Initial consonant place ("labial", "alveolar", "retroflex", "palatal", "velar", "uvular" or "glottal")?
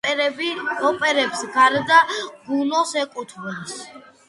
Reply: labial